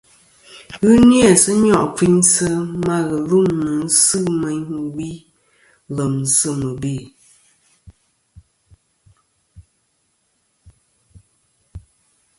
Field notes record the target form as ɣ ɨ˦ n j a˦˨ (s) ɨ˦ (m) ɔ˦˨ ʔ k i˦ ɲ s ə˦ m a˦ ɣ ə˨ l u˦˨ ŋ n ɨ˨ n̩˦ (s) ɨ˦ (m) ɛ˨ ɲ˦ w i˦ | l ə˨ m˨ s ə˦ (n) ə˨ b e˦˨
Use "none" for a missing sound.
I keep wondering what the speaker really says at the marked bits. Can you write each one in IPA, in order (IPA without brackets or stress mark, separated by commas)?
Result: s, ɲ, s, m, m